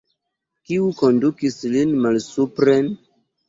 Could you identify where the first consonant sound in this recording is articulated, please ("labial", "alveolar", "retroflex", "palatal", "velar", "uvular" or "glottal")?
velar